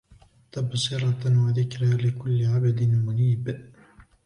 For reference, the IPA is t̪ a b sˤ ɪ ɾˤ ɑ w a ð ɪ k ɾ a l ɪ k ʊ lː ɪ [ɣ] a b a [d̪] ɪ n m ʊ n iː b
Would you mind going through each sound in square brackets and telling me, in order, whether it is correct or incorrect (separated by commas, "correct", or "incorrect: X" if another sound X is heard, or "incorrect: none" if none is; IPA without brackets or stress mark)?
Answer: incorrect: ʕ, correct